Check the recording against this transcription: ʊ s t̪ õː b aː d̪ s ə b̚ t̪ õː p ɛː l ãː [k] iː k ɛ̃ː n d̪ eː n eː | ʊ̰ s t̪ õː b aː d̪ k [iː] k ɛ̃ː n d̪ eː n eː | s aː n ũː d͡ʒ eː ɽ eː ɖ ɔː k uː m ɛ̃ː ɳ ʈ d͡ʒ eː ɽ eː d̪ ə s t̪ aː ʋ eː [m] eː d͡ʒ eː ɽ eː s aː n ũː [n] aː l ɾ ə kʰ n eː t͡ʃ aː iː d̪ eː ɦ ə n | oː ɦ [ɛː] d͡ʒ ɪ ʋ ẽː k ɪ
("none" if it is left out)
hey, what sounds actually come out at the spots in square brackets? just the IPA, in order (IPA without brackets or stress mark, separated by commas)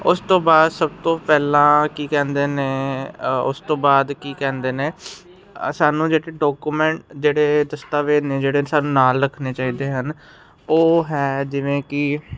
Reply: k, iː, n, n, ɛː